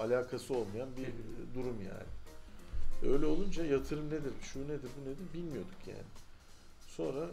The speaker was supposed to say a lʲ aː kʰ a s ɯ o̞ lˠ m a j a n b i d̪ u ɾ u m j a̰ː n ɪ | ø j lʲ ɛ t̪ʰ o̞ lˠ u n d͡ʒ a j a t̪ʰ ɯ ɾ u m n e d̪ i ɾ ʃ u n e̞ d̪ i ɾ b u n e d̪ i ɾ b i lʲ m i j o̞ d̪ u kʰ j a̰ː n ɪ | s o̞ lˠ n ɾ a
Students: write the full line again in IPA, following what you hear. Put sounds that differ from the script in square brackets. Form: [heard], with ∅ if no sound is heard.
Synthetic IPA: a lʲ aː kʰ a s ɯ o̞ lˠ m a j a n b i d̪ u ɾ u m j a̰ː n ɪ | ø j lʲ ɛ [∅] o̞ lˠ u n d͡ʒ a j a t̪ʰ ɯ ɾ [ɯ] m n e d̪ i ɾ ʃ u n e̞ d̪ i ɾ b u n e d̪ i ɾ b i lʲ m i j o̞ d̪ u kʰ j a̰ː n ɪ | s o̞ [∅] n ɾ a